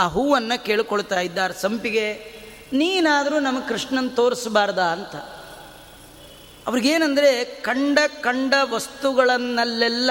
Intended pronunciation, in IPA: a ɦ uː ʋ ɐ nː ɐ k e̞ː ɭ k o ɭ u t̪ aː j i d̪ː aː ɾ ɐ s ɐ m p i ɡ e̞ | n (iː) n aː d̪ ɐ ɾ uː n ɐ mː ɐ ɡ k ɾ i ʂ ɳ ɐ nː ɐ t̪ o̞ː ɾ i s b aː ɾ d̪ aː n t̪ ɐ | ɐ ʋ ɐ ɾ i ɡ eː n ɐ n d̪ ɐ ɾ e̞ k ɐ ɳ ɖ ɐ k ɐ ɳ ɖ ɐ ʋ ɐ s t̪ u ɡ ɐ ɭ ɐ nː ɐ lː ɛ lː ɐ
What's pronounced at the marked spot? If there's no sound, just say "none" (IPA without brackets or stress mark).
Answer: iː